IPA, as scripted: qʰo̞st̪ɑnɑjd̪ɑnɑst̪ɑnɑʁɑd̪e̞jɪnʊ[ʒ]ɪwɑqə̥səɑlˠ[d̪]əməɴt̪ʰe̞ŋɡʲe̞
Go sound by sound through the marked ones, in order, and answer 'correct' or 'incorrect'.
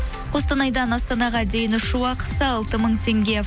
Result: incorrect, incorrect

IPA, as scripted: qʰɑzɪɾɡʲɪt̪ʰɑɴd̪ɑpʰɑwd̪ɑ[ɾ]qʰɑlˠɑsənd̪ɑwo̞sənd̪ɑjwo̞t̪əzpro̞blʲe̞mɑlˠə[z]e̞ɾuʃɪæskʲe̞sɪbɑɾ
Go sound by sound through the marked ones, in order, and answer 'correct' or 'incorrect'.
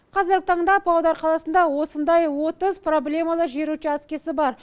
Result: correct, incorrect

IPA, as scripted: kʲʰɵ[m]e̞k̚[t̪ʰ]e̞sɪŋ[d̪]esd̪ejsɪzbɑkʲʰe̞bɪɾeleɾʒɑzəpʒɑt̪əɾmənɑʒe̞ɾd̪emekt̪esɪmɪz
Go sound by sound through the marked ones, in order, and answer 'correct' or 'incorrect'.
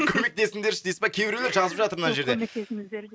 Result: correct, incorrect, correct

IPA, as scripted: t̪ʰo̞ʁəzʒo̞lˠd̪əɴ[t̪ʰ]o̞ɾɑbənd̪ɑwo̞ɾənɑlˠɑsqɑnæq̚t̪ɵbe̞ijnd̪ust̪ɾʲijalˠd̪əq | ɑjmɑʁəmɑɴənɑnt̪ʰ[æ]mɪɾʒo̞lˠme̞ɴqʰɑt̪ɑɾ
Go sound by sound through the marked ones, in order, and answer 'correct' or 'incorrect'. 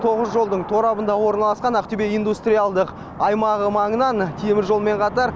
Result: correct, incorrect

